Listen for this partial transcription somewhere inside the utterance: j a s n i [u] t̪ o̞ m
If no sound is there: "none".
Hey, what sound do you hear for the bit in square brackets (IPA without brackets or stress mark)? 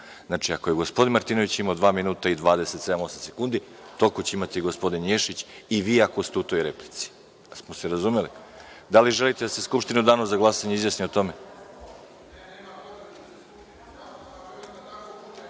o